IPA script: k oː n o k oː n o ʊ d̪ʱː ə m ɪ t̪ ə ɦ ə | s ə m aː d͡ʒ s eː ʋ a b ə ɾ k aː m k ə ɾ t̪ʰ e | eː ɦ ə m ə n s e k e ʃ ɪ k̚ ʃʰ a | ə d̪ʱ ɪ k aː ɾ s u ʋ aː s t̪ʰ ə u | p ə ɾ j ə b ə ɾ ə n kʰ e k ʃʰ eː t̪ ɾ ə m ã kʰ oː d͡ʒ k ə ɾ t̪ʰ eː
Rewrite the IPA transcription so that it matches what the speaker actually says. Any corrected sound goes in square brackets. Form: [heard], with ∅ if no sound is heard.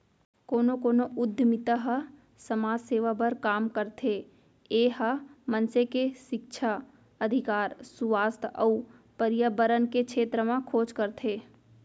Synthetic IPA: k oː n o k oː n o ʊ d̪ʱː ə m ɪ t̪ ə ɦ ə | s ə m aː d͡ʒ s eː ʋ a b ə ɾ k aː m k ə ɾ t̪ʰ e | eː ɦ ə m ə n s e k e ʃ ɪ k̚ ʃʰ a | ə d̪ʱ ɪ k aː ɾ s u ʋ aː s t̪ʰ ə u | p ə ɾ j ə b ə ɾ ə n [k] e k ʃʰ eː t̪ ɾ ə m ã kʰ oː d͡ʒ k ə ɾ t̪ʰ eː

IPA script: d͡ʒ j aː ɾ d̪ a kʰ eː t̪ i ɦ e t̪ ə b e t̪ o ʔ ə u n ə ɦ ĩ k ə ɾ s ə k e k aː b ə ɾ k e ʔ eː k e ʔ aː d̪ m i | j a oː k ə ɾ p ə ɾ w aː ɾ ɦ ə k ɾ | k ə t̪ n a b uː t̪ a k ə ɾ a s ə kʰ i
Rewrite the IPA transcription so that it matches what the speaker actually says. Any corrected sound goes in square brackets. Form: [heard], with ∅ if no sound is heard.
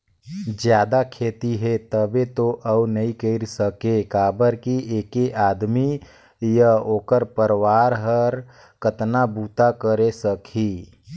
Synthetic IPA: d͡ʒ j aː [∅] d̪ a kʰ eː t̪ i ɦ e t̪ ə b e t̪ o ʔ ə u n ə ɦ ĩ k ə ɾ s ə k e k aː b ə ɾ k [i] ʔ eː k e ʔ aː d̪ m i | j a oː k ə ɾ p ə ɾ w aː ɾ ɦ ə [∅] ɾ | k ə t̪ n a b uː t̪ a k ə ɾ [e] s ə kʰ i

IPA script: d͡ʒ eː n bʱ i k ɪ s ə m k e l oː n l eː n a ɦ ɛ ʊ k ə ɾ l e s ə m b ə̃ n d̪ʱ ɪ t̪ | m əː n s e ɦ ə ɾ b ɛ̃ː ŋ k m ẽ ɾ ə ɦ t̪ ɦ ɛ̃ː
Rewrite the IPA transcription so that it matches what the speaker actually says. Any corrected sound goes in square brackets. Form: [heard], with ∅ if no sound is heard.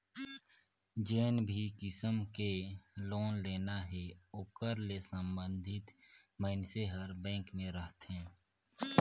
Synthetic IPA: d͡ʒ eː n bʱ i k ɪ s ə m k e l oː n l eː n a ɦ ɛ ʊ k ə ɾ l e s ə m b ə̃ n d̪ʱ ɪ t̪ | m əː n s e ɦ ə ɾ b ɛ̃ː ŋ k m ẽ ɾ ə ɦ t̪ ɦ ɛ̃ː

